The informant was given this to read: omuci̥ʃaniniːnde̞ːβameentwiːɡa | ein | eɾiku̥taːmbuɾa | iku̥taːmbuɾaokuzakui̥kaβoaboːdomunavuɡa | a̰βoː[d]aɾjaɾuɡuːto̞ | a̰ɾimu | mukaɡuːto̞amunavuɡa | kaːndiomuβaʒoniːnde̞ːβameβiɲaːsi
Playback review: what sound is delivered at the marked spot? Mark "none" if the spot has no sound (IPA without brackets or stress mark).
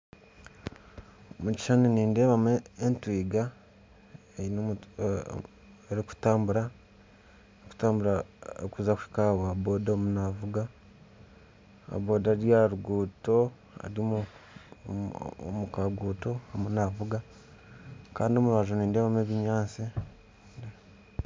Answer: d